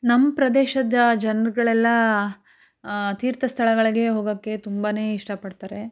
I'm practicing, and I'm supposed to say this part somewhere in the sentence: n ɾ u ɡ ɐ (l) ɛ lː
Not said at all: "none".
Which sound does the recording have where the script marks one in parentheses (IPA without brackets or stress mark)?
ɭ